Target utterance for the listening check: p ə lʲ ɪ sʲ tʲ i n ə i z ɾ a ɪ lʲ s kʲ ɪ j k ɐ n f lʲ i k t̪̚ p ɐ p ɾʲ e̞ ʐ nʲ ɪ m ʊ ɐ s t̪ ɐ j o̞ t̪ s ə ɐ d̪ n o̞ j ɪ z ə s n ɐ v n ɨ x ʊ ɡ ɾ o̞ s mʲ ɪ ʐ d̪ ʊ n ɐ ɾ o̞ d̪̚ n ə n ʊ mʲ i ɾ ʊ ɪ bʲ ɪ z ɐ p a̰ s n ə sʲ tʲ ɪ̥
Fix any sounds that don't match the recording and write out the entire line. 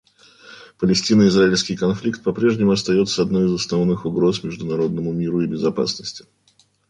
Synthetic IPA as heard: p ə lʲ ɪ sʲ tʲ i n ə ɪ z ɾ a ɪ lʲ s kʲ ɪ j k ɐ n f lʲ i k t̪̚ p ɐ p ɾʲ e̞ ʐ nʲ ɪ m ʊ ɐ s t̪ ɐ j o̞ t̪ s ə ɐ d̪ n o̞ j ɪ z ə s n ɐ v n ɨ x ʊ ɡ ɾ o̞ s mʲ ɪ ʐ d̪ ʊ n ɐ ɾ o̞ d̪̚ n ə m ʊ mʲ i ɾ ʊ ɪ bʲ ɪ z ɐ p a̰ s n ə sʲ tʲ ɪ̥